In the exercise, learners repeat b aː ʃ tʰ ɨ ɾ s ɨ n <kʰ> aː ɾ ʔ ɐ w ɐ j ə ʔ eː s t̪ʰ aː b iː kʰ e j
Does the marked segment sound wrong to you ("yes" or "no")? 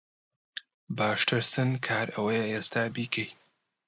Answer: no